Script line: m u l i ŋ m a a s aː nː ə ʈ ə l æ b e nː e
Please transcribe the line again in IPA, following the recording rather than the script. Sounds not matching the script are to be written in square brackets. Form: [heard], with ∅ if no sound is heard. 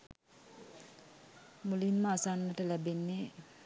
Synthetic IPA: m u l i [n] m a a s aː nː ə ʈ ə l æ b e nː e

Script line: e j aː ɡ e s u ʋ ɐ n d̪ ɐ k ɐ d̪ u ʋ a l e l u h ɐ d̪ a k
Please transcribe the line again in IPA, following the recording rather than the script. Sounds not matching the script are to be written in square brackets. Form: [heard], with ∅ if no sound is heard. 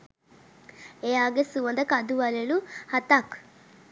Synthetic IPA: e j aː ɡ e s u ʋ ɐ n d̪ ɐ k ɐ d̪ u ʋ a l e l u h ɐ [t̪] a k

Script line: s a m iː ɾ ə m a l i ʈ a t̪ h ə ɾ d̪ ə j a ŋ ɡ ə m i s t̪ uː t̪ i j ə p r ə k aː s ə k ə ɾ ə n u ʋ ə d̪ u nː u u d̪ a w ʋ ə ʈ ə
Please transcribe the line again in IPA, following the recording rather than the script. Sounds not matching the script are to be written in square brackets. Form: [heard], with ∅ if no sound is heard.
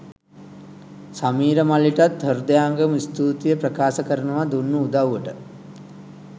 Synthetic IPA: s a m iː ɾ ə m a l i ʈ a t̪ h ə ɾ d̪ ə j a ŋ ɡ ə m i s t̪ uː t̪ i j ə p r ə k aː s ə k ə ɾ ə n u ʋ [a] d̪ u nː u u d̪ a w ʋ ə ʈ ə

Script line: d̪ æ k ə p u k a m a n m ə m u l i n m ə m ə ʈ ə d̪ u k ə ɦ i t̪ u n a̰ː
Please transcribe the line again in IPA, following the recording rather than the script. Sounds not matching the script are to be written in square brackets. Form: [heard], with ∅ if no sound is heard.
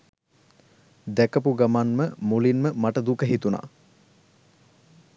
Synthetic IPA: d̪ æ k ə p u [ɡ] a m a n m ə m u l i n m ə m [a] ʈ ə d̪ u k ə ɦ i t̪ u n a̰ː

